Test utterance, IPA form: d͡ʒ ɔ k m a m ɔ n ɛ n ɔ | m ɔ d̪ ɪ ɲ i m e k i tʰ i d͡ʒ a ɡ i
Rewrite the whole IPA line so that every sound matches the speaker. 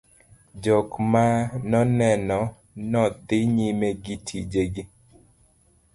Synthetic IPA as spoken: d͡ʒ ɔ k m a n ɔ n ɛ n ɔ | n ɔ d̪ ɪ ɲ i m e ɡ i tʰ i d͡ʒ e ɡ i